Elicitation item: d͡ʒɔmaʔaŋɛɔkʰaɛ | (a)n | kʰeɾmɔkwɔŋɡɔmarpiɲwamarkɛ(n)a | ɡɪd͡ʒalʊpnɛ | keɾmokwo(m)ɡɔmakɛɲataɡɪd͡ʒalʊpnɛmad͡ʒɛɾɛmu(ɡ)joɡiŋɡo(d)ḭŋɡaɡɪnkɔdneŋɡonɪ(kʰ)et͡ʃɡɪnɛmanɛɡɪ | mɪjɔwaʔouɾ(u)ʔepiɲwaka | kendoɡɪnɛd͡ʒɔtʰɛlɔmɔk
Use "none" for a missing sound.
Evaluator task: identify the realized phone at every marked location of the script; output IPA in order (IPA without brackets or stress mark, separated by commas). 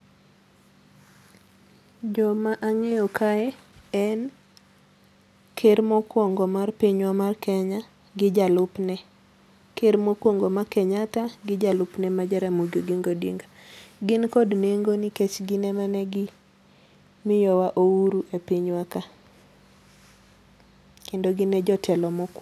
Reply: ɛ, ɲ, ŋ, ɡ, d, k, u